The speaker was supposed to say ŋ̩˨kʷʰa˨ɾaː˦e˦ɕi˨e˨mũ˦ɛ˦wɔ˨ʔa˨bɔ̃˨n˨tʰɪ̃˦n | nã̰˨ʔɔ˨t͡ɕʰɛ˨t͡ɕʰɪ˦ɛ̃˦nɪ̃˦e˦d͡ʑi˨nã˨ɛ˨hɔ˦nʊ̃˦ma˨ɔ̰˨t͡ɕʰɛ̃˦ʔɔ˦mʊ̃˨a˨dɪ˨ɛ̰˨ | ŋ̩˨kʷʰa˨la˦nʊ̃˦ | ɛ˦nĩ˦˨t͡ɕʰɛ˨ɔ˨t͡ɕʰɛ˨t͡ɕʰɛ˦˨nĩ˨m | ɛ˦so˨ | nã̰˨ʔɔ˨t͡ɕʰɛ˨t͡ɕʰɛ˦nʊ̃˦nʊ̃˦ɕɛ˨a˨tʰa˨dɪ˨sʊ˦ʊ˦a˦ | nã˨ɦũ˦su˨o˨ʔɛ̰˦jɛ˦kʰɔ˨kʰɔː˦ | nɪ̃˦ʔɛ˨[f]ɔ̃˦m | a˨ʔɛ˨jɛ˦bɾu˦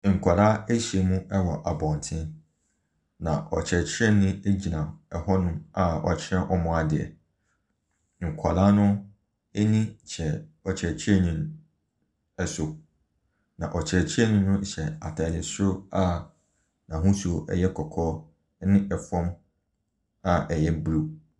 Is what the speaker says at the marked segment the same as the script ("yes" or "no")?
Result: yes